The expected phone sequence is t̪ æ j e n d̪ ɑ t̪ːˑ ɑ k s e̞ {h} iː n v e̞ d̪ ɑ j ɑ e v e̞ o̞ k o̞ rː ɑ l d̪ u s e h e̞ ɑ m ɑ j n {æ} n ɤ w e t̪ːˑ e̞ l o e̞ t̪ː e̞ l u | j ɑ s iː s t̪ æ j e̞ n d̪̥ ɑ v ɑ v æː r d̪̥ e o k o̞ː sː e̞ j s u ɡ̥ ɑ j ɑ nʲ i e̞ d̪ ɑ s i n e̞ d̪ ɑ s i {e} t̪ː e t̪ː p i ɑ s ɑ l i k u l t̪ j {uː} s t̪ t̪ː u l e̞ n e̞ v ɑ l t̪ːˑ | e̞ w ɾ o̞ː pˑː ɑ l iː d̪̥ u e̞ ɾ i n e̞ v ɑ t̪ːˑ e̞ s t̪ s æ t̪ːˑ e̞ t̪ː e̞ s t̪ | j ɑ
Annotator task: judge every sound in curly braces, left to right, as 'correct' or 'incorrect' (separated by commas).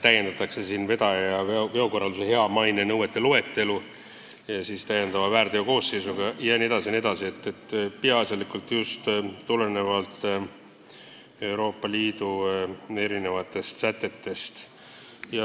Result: incorrect, incorrect, correct, incorrect